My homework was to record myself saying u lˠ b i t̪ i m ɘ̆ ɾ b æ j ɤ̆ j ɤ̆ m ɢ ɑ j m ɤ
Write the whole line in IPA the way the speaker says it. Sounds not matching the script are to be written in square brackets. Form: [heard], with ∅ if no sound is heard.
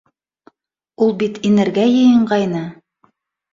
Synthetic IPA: u lˠ b i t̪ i [n] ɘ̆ ɾ [ɡ] æ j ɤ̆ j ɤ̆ [ɴ] ɢ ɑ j [n] ɤ